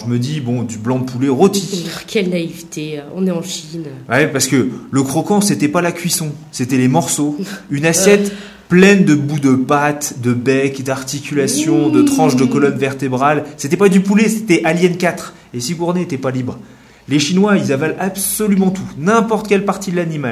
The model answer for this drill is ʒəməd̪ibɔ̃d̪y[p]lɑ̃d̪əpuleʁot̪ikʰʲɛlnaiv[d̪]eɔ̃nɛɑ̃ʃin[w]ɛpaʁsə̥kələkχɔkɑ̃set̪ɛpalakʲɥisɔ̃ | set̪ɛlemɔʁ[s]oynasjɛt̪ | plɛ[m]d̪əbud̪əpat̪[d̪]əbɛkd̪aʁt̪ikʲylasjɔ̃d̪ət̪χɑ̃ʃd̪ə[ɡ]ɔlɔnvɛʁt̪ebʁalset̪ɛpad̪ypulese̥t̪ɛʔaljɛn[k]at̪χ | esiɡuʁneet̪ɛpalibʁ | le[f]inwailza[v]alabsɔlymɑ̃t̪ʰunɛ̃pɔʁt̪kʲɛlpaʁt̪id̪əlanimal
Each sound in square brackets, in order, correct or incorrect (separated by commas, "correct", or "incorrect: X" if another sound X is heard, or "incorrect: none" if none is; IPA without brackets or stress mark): incorrect: b, incorrect: t̪, correct, correct, incorrect: n, correct, incorrect: k, correct, incorrect: ʃ, correct